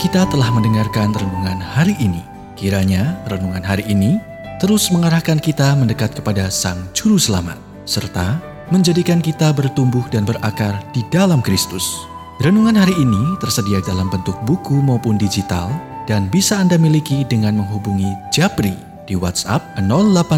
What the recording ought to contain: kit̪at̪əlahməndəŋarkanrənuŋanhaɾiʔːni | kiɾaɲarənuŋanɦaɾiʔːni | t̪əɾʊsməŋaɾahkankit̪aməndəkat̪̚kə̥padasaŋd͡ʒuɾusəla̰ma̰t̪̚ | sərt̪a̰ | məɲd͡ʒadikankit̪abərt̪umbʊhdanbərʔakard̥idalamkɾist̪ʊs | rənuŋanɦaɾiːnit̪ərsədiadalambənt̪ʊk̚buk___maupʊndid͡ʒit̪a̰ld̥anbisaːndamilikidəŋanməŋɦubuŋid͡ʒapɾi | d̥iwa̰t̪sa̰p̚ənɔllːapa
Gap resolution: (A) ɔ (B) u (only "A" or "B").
B